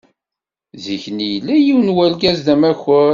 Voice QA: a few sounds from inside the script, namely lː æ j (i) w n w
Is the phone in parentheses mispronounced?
no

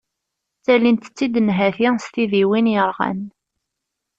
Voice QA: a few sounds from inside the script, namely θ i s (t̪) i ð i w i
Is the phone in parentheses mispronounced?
no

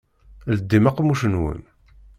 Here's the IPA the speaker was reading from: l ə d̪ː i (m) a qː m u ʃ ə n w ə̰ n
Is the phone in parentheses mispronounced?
no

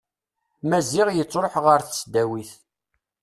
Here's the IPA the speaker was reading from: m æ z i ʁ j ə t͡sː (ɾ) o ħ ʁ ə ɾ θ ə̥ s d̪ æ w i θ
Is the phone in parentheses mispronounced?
no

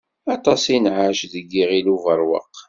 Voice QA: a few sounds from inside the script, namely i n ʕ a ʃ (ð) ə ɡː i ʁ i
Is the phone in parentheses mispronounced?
no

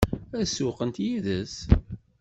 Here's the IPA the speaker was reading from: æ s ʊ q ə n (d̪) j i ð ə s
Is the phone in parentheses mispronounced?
yes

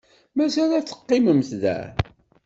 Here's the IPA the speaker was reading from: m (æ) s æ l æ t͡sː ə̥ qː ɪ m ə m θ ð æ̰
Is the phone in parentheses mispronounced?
no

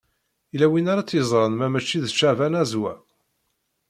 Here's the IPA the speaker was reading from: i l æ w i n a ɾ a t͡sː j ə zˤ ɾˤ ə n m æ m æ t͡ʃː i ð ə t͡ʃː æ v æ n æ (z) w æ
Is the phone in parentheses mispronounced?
no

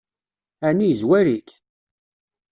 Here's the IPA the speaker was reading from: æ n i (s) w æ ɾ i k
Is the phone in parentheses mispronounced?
yes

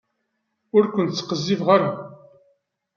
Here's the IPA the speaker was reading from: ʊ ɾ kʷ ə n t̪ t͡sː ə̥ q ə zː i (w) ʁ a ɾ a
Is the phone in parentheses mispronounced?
yes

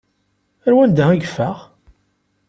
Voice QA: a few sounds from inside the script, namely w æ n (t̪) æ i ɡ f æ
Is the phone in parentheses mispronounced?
yes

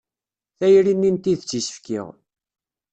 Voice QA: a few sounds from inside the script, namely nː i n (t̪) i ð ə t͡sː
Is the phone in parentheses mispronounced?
no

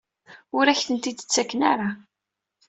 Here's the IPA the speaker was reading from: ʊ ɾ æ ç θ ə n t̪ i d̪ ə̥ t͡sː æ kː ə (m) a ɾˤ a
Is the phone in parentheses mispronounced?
yes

